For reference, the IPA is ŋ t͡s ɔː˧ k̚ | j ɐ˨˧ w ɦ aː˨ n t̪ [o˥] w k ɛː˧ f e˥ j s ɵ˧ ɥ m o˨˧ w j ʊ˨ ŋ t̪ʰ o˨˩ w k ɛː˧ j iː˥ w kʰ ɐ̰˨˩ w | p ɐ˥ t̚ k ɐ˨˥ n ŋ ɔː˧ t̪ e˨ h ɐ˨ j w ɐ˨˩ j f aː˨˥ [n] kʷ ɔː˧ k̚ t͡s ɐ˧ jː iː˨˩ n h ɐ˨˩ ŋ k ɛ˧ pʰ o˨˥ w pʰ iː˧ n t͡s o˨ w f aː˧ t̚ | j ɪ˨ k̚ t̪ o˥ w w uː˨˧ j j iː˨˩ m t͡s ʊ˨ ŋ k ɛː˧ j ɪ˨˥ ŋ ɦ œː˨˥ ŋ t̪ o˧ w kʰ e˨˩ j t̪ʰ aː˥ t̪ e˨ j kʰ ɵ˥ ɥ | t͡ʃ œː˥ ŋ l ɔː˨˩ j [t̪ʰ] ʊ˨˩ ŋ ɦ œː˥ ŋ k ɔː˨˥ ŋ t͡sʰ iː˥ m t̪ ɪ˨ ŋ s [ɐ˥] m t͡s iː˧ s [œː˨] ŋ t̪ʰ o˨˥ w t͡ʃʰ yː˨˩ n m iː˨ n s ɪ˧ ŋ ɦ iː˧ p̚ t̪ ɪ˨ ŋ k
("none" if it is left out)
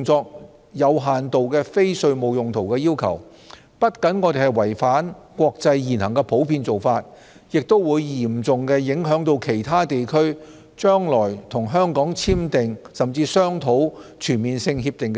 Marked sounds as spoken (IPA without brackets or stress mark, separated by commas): o˨, n, t̪ʰ, ɐ˨, œː˥